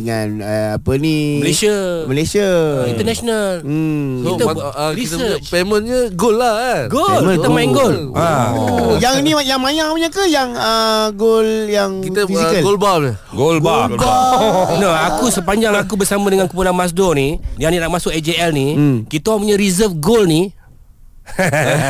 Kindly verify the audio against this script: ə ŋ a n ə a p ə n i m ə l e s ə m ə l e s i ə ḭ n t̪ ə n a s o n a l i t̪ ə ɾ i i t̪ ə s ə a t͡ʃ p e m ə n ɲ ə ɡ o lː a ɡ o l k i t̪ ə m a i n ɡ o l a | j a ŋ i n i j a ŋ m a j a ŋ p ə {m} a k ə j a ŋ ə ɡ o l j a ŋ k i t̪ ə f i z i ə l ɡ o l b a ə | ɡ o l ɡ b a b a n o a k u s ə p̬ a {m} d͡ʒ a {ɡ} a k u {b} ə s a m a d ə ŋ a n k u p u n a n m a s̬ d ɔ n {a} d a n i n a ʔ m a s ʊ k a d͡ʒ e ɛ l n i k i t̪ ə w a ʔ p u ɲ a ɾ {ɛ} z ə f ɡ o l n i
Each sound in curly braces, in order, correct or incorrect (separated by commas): incorrect, incorrect, incorrect, correct, incorrect, incorrect